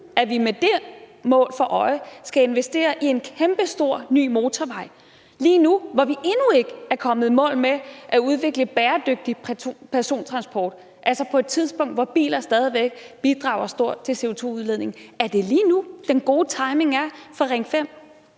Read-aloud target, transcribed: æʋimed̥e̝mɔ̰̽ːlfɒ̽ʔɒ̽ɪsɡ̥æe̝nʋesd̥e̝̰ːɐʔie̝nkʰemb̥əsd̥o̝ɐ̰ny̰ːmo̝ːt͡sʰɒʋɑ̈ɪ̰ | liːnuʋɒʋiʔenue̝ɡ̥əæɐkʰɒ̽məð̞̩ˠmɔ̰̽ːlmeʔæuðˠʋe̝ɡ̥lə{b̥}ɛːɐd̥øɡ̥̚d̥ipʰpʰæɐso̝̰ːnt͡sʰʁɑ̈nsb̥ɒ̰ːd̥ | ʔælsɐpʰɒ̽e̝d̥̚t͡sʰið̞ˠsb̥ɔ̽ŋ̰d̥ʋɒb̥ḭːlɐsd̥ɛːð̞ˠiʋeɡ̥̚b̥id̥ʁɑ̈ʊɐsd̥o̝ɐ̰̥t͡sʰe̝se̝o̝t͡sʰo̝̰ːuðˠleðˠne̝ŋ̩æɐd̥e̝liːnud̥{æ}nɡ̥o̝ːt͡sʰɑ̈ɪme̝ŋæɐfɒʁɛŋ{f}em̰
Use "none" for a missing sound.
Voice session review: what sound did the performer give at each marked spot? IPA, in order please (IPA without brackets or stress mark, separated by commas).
b̥, e, f